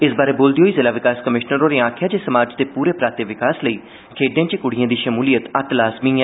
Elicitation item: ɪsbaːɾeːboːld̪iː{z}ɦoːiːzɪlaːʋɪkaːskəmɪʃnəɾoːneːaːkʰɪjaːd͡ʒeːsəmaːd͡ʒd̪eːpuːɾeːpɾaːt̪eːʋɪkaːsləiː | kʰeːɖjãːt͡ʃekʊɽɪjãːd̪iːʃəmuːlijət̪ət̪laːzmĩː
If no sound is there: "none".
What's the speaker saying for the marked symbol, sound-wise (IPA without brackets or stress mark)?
none